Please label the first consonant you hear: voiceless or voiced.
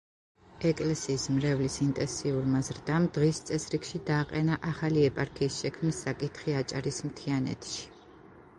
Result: voiceless